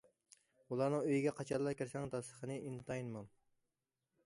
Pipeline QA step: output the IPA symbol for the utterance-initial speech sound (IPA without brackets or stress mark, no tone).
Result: u